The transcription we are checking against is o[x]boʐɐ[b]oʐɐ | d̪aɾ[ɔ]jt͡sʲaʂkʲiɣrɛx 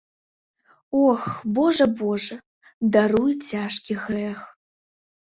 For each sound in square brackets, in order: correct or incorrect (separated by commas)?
correct, correct, incorrect